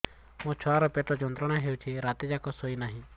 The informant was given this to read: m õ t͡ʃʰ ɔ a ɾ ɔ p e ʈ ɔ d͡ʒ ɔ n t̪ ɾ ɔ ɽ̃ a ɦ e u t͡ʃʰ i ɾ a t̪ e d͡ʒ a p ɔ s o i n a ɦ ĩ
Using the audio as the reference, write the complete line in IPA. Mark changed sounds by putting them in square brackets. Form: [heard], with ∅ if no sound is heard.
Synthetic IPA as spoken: m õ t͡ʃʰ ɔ a ɾ ɔ p e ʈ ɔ d͡ʒ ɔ n t̪ ɾ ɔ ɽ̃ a ɦ e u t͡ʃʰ i ɾ a t̪ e d͡ʒ a [k] ɔ s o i n a ɦ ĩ

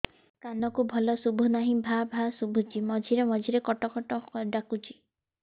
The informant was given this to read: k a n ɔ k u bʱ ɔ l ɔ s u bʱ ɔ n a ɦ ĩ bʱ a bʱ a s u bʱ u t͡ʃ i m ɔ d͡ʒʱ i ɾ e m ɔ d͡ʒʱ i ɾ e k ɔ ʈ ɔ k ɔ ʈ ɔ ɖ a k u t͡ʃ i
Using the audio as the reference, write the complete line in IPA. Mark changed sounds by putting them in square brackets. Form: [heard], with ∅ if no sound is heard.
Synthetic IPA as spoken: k a n ɔ k u bʱ ɔ l ɔ s u bʱ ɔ n a ɦ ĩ bʱ a bʱ a s u bʱ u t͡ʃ i m ɔ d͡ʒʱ i ɾ e m ɔ d͡ʒʱ i ɾ e k ɔ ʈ ɔ k ɔ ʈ ɔ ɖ a k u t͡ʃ i

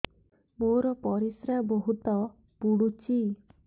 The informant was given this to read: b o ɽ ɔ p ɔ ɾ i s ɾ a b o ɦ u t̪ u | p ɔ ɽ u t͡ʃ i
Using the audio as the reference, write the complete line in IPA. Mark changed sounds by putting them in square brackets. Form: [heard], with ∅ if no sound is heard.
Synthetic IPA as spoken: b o [ɾ] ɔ p ɔ ɾ i s ɾ a b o ɦ u t̪ [ɔ] | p [u] ɽ u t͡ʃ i

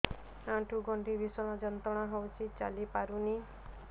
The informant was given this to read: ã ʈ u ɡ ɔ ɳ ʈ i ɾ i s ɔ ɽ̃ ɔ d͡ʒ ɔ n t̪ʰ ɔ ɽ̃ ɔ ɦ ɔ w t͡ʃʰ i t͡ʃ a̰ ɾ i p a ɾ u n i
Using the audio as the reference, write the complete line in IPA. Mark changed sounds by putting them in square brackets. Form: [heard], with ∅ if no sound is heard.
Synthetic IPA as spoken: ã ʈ u ɡ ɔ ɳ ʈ i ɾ i s ɔ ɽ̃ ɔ d͡ʒ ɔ n [t̪] ɔ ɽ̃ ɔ ɦ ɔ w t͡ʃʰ i t͡ʃ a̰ [l] i p a ɾ u n i

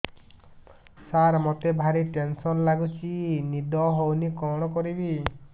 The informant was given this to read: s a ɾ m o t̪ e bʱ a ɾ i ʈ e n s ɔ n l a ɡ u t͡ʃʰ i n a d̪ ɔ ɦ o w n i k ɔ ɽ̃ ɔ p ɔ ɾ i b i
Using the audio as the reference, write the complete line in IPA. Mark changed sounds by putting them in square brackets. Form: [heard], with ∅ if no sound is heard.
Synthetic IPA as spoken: s a ɾ m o t̪ e bʱ a ɾ i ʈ e n s ɔ n l a ɡ u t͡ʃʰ i n [i] d̪ ɔ ɦ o w n i k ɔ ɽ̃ ɔ [k] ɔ ɾ i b i

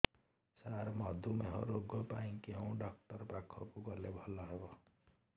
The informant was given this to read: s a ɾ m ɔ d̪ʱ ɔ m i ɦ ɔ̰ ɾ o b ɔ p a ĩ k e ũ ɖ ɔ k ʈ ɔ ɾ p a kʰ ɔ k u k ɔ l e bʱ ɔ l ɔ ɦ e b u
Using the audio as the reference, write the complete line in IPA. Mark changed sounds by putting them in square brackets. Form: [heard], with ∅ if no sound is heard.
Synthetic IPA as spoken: s a ɾ m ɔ d̪ʱ [u] m [e] ɦ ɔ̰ ɾ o [ɡ] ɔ p a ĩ k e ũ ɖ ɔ k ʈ ɔ ɾ p a kʰ ɔ k u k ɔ l e bʱ ɔ l ɔ ɦ e b [ɔ]

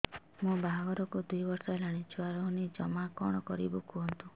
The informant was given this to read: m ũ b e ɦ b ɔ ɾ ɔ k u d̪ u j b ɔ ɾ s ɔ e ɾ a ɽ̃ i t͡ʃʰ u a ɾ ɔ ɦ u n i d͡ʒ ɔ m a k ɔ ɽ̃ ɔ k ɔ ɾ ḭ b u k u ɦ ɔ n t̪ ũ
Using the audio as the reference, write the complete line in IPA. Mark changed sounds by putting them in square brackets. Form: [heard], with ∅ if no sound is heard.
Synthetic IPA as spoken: m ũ b [a] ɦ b ɔ ɾ ɔ k u d̪ u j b ɔ ɾ s ɔ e [l] a ɽ̃ i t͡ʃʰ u a ɾ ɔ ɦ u n i d͡ʒ ɔ m a k ɔ ɽ̃ ɔ k ɔ ɾ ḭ b u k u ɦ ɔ n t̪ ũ

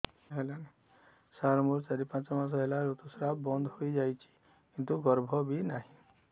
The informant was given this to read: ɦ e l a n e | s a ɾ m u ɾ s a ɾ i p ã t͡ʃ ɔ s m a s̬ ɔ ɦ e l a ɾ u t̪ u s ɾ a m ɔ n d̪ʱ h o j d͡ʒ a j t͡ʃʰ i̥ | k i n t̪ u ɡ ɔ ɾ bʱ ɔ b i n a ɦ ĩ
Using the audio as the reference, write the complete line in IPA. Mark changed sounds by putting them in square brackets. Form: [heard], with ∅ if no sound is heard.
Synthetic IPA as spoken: ɦ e l a n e | s a ɾ m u ɾ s a ɾ i p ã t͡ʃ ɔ [∅] m a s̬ ɔ ɦ e l a ɾ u t̪ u s ɾ a [b] ɔ n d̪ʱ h o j d͡ʒ a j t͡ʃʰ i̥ | k i n t̪ u ɡ ɔ ɾ bʱ ɔ b i n a ɦ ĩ

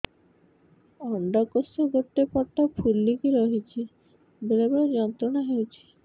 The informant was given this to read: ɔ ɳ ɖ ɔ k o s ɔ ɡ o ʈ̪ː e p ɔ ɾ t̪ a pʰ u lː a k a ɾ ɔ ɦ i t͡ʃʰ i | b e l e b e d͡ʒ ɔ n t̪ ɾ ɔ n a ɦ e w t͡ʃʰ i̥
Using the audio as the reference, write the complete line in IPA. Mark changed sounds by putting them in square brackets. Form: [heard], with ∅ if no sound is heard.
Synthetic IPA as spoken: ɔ ɳ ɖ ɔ k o s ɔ ɡ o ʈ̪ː e p ɔ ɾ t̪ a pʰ u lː [i] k [i] ɾ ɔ ɦ i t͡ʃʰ i | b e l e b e d͡ʒ ɔ n t̪ ɾ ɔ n a ɦ e w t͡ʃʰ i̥

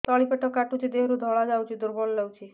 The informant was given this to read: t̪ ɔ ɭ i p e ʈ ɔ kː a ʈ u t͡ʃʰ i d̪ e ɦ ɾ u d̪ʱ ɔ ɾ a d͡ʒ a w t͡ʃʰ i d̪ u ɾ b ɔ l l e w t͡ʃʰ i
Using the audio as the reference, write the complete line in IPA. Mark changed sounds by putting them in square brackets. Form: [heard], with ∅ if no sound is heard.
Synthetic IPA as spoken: t̪ ɔ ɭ i p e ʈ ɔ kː a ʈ u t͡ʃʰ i d̪ e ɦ ɾ u d̪ʱ ɔ [ɭ] a d͡ʒ a w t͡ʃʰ i d̪ u ɾ b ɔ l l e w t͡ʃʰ i

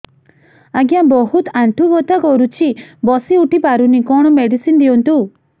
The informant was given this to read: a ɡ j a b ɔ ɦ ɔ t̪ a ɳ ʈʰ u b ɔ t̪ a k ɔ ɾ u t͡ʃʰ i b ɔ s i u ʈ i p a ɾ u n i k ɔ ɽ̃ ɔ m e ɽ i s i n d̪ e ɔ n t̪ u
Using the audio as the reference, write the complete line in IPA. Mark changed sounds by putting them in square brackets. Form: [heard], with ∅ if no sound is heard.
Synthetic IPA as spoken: a ɡ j a b ɔ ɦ [u] t̪ a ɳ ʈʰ u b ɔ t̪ a k ɔ ɾ u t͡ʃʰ i b ɔ s i u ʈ i p a ɾ u n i k ɔ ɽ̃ ɔ m e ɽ i s i n d̪ [i] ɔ n t̪ u

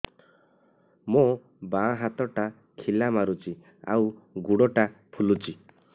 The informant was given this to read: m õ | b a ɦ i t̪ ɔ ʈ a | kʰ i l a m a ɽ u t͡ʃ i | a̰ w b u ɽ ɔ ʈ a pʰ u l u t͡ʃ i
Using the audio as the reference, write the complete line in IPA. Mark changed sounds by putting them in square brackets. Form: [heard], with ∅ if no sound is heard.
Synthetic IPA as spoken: m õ | b a ɦ [a] t̪ ɔ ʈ a | kʰ i l a m a [ɾ] u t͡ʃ i | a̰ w [ɡ] u ɽ ɔ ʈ a pʰ u l u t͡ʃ i

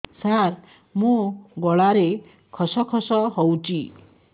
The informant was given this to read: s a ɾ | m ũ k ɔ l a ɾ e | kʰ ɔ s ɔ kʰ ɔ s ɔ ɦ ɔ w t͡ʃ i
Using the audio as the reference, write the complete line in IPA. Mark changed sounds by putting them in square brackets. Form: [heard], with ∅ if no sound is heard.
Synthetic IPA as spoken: s a ɾ | m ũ [ɡ] ɔ [ɭ] a ɾ e | kʰ ɔ s ɔ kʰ ɔ s ɔ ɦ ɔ w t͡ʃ i

